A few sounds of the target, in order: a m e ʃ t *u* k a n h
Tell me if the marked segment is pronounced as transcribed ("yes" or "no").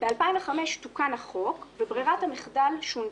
yes